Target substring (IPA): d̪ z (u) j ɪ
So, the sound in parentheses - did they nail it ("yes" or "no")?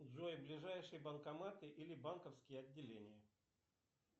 no